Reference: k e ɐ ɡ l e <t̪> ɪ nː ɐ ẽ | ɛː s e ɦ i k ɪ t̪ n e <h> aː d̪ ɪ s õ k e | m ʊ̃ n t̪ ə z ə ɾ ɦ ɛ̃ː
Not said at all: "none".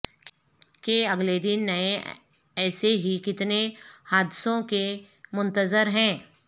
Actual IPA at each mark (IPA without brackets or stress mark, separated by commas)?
d̪, h